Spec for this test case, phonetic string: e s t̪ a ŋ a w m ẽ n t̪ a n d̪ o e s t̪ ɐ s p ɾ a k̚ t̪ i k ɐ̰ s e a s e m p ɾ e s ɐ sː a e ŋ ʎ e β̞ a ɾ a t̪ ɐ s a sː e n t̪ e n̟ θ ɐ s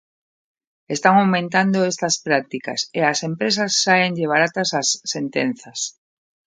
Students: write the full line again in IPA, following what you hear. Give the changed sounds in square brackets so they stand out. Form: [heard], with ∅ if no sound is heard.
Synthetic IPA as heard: e s t̪ a ŋ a w m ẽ n t̪ a n d̪ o e s t̪ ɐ s p ɾ a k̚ t̪ i k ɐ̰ s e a s e m p ɾ e s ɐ sː a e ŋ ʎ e β̞ a ɾ a t̪ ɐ s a sː e n t̪ e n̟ θ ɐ s